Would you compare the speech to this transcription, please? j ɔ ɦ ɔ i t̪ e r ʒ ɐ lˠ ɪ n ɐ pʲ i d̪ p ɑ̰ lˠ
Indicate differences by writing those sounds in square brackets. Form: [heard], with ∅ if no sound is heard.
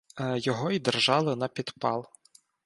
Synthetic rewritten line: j ɔ ɦ ɔ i [d̪] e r ʒ [ɑ] lˠ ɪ n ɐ pʲ i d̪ p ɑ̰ lˠ

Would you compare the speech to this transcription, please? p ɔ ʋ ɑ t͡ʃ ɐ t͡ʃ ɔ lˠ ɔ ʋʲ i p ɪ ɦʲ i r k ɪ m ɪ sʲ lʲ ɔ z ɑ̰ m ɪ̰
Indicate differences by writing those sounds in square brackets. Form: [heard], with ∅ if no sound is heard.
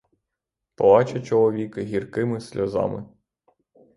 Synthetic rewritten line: p ɔ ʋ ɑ t͡ʃ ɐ t͡ʃ ɔ lˠ ɔ ʋʲ i [k] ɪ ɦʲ i r k ɪ m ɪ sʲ lʲ ɔ z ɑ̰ m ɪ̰

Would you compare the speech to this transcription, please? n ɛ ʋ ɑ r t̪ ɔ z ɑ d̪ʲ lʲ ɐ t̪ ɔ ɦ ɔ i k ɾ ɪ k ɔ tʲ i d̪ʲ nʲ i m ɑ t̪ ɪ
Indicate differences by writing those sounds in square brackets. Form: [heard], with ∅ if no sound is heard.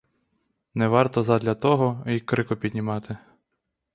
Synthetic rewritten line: n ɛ ʋ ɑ r t̪ ɔ z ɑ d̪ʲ lʲ ɐ t̪ ɔ ɦ ɔ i k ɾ ɪ k ɔ [pʲ] i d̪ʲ nʲ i m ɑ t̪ ɪ

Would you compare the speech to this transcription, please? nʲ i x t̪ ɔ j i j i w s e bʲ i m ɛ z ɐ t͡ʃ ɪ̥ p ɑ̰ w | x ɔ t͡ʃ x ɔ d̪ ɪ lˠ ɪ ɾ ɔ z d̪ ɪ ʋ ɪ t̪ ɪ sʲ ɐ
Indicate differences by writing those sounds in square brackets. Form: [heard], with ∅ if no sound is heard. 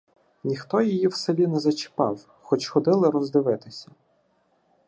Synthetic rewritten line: nʲ i x t̪ ɔ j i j i w s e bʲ i [n] ɛ z ɐ t͡ʃ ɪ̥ p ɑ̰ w | x ɔ t͡ʃ x ɔ d̪ ɪ lˠ ɪ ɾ ɔ z d̪ ɪ ʋ ɪ t̪ ɪ sʲ ɐ

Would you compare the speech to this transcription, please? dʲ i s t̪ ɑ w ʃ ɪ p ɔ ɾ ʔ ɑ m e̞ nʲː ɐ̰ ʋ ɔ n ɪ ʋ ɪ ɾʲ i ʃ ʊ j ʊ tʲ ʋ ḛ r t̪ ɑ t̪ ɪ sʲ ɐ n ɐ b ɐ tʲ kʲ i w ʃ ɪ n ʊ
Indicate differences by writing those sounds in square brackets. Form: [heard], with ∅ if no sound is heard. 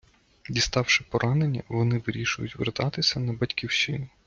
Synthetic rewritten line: dʲ i s t̪ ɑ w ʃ ɪ p ɔ ɾ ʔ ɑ [n] e̞ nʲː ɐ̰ ʋ ɔ n ɪ ʋ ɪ ɾʲ i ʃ ʊ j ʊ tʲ ʋ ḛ r t̪ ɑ t̪ ɪ sʲ ɐ n ɐ b ɐ tʲ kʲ i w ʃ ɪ n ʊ

